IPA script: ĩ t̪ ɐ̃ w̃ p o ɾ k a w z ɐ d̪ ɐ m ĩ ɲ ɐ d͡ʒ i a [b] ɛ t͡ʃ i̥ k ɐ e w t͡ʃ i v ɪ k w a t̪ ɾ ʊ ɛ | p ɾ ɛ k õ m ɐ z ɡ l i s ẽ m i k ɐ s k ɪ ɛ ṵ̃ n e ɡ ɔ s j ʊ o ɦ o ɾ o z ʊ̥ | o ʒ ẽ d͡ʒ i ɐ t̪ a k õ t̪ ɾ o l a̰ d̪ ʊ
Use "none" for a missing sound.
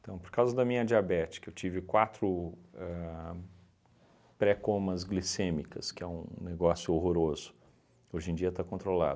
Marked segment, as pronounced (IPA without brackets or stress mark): b